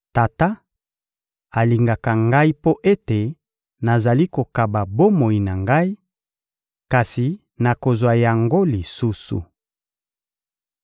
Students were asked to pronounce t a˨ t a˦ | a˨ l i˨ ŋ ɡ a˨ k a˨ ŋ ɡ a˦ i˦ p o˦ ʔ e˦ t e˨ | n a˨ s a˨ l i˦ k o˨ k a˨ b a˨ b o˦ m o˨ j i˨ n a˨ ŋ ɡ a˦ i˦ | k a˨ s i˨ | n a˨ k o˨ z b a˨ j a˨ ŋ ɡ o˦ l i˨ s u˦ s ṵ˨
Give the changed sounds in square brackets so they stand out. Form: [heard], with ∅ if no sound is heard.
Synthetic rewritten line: t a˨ t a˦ | a˨ l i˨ ŋ ɡ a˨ k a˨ ŋ ɡ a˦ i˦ p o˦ ʔ e˦ t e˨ | n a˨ [z] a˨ l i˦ k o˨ k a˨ b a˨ b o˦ m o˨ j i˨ n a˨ ŋ ɡ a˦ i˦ | k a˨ s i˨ | n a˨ k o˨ z [w] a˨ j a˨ ŋ ɡ o˦ l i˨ s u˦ s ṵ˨